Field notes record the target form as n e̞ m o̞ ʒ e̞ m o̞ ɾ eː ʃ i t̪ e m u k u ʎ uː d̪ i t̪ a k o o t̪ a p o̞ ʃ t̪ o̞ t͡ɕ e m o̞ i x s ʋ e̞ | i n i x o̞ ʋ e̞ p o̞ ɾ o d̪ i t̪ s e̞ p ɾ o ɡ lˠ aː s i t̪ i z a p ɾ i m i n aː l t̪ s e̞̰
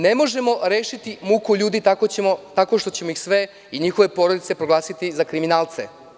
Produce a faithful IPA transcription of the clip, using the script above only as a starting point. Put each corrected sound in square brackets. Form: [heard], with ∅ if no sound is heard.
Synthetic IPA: n e̞ m o̞ ʒ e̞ m o̞ ɾ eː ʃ i t̪ [i] m u k u ʎ uː d̪ i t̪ a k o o t̪ a [k] o̞ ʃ t̪ o̞ t͡ɕ e m o̞ i x s ʋ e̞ | i [ɲ] i x o̞ ʋ e̞ p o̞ ɾ o d̪ i t̪ s e̞ p ɾ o ɡ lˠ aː s i t̪ i z a [k] ɾ i m i n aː l t̪ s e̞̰